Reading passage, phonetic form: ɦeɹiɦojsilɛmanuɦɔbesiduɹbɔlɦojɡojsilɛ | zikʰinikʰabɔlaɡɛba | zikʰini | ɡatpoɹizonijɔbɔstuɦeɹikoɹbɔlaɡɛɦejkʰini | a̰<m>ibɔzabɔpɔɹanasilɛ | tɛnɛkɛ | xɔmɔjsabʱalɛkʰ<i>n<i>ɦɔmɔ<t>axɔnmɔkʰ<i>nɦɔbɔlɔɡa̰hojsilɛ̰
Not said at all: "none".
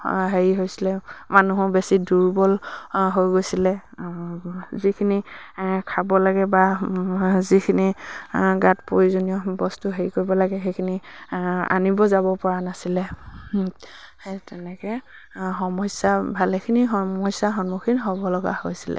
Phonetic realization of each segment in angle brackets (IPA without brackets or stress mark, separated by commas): n, i, i, s, i